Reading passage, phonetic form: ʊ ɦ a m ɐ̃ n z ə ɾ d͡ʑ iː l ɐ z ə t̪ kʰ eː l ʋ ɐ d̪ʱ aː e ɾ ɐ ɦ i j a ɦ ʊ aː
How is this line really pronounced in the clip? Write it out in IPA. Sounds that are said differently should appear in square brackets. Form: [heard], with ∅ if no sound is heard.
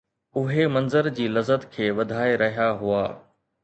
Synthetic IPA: ʊ ɦ [e] m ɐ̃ n z ə ɾ d͡ʑ iː l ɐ z ə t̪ kʰ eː [∅] ʋ ɐ d̪ʱ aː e ɾ ɐ ɦ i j a ɦ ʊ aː